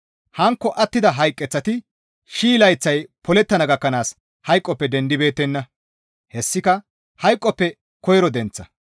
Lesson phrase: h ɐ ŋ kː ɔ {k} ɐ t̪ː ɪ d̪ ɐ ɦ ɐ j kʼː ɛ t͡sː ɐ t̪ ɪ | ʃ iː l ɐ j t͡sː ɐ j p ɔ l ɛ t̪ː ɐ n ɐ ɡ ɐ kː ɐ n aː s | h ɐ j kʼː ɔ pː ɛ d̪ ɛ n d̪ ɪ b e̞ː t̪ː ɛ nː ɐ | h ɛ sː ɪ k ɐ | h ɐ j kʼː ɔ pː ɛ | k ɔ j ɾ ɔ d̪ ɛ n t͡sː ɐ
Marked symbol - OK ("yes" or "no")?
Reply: no